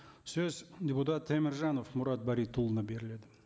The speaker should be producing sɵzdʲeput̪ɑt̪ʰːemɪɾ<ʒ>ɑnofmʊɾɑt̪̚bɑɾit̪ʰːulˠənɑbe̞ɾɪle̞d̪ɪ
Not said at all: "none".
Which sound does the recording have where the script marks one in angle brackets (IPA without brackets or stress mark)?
ʒ